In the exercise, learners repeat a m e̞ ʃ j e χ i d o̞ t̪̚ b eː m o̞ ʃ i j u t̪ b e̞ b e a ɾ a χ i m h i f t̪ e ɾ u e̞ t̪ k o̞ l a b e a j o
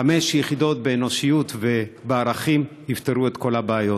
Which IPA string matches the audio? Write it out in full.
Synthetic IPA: a m e̞ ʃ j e χ i d o̞ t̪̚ b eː n o̞ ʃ i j u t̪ v e̞ b e a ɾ a χ i m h i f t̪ e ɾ u e̞ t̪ k o̞ l a b e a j o